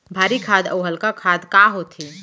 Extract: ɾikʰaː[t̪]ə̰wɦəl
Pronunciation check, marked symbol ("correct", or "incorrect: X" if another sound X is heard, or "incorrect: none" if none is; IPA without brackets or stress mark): incorrect: d̪